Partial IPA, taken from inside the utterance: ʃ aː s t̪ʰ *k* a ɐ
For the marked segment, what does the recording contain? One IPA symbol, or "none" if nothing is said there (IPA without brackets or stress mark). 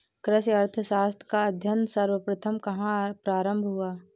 k